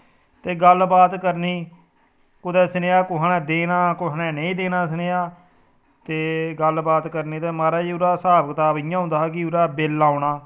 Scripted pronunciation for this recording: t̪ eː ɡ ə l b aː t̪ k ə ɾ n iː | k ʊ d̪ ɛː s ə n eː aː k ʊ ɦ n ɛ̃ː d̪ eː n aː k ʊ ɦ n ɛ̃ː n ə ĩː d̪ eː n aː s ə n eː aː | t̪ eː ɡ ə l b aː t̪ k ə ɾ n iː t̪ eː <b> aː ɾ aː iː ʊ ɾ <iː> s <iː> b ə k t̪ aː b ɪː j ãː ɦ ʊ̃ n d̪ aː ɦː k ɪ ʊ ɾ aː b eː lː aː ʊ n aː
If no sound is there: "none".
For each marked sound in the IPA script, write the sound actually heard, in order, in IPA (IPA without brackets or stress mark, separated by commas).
m, aː, aː